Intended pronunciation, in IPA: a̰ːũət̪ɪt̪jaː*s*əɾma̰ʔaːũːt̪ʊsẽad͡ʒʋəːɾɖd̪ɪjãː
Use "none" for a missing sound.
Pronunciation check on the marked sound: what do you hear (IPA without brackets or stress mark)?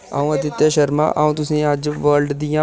ʃ